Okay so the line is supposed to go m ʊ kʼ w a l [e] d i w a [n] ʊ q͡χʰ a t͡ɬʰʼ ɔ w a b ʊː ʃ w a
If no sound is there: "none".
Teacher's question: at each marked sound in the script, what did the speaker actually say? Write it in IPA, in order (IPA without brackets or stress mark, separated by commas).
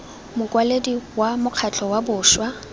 e, m